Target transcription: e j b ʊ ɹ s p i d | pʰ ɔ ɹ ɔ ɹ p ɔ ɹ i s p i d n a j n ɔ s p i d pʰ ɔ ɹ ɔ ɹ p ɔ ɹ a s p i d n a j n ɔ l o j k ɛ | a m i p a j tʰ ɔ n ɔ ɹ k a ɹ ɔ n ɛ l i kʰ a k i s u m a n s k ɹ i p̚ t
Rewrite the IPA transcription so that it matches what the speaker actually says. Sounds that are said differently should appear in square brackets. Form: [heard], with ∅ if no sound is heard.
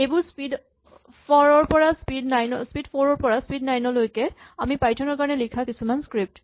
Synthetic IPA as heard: e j b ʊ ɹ s p i d | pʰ ɔ ɹ ɔ ɹ p ɔ ɹ [a] s p i d n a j n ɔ s p i d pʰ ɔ ɹ ɔ ɹ p ɔ ɹ a s p i d n a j n ɔ l o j k ɛ | a m i p a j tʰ ɔ n ɔ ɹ k a ɹ ɔ n ɛ l i kʰ a k i s u m a n s k ɹ i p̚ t